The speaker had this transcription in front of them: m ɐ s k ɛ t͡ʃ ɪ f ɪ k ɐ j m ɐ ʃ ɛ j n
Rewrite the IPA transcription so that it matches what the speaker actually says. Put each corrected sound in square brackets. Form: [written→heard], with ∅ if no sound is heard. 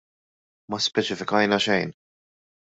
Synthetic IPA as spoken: m ɐ s [k→p] ɛ t͡ʃ ɪ f ɪ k ɐ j [m→n] ɐ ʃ ɛ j n